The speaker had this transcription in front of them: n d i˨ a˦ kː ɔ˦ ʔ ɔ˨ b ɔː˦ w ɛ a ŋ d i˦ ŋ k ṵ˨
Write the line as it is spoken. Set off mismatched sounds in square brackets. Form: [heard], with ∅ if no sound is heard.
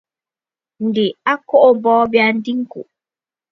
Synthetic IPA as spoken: n d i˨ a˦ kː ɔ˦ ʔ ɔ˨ b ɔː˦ [b] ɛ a [n] d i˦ ŋ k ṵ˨